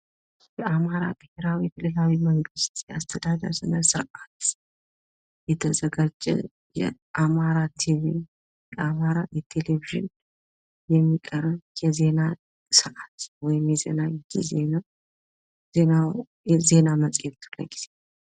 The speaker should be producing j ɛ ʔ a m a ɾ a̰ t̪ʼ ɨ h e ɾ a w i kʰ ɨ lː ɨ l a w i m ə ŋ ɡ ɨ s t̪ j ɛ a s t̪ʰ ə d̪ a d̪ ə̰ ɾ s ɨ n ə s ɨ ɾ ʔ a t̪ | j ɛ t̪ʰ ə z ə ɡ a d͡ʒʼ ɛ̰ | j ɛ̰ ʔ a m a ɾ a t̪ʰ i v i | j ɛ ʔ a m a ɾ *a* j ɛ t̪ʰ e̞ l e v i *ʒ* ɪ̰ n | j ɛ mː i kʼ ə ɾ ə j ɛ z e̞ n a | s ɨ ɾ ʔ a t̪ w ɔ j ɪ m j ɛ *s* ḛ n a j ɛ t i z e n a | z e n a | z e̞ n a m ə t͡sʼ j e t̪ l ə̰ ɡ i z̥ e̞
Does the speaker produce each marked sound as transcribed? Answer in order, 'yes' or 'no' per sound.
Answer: yes, yes, no

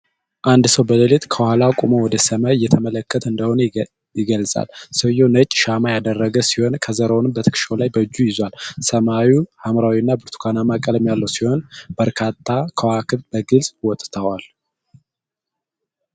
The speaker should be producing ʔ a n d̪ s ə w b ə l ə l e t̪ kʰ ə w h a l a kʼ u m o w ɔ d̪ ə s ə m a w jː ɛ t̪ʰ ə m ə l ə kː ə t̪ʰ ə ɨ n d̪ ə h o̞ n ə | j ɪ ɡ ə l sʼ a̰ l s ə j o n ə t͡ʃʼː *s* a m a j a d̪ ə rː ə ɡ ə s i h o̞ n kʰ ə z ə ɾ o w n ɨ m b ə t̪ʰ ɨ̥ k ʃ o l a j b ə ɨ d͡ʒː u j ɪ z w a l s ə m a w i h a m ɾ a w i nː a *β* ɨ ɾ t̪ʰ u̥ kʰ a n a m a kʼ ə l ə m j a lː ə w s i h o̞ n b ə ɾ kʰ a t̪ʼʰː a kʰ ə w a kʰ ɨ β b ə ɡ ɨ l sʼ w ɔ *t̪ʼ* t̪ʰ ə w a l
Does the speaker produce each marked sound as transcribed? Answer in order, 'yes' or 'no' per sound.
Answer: no, no, yes

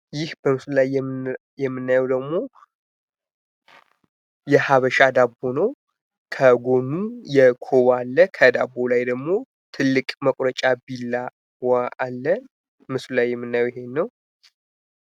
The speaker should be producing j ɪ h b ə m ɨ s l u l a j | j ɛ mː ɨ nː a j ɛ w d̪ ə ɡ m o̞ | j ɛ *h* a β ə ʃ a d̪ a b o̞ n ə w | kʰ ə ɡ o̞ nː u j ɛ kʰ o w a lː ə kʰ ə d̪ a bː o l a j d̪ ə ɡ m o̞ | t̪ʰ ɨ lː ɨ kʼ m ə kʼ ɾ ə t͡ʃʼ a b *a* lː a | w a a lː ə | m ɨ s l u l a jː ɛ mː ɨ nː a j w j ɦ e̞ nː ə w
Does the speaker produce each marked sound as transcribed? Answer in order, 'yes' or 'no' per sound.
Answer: yes, no

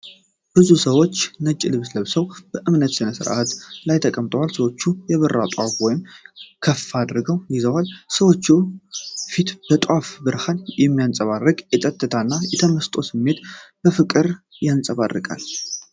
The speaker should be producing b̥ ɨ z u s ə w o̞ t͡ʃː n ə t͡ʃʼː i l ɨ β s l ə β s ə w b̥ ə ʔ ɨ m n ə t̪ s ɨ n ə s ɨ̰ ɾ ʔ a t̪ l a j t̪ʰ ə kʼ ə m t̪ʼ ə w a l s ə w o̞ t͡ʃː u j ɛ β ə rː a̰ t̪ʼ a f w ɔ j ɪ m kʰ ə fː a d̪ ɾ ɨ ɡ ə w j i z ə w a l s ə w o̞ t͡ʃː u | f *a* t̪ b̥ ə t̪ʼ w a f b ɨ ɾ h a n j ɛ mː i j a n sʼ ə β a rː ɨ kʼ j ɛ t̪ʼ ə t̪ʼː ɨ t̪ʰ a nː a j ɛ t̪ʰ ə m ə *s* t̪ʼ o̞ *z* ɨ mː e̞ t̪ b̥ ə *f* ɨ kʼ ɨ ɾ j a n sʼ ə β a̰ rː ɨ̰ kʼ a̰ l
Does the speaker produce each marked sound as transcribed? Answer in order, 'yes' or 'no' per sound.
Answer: no, yes, no, yes

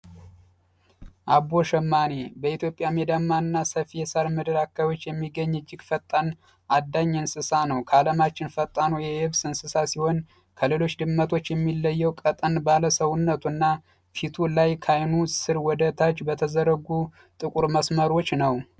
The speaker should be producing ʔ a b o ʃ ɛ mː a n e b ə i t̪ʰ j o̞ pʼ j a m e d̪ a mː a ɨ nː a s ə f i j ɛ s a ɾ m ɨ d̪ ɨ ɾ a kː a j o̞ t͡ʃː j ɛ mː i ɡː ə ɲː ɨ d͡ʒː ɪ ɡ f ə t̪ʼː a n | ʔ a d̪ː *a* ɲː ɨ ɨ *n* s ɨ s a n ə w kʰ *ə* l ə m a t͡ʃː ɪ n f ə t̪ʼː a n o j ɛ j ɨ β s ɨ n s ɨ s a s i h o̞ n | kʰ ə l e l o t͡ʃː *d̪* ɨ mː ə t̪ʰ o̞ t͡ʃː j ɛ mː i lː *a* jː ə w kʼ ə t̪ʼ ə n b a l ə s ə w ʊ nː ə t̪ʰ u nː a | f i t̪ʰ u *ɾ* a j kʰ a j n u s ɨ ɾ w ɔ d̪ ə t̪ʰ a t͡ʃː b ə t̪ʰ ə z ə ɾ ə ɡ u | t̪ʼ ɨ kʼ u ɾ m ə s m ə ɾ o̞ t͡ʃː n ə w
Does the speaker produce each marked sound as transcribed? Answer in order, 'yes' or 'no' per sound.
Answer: yes, yes, no, yes, no, no

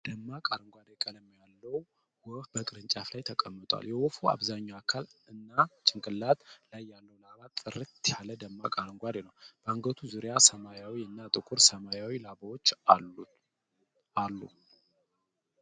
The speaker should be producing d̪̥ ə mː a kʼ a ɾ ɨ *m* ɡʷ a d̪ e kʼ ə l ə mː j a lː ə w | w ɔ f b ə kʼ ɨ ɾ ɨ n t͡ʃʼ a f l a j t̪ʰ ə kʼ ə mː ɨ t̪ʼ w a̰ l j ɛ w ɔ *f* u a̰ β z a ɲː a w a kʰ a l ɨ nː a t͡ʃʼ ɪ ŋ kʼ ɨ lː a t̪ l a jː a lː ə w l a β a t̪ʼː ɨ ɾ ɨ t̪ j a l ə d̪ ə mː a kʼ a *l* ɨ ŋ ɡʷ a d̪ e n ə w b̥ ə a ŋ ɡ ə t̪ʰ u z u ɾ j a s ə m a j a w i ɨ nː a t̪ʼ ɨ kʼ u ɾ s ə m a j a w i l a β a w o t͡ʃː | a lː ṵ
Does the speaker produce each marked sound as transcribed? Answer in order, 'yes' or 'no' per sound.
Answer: no, yes, no

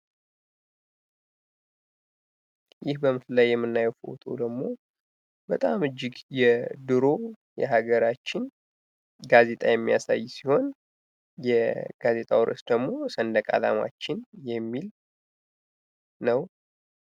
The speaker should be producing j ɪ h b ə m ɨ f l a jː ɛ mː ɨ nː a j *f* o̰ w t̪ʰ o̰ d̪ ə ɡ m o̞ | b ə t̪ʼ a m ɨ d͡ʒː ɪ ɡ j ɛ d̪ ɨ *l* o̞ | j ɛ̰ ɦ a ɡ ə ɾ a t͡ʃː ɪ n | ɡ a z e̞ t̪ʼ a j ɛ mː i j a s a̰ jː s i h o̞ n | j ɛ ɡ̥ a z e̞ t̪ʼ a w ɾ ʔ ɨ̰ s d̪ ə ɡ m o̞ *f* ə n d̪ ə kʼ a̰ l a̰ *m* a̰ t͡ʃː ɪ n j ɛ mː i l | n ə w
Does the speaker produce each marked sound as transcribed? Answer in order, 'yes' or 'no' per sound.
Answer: yes, no, no, yes

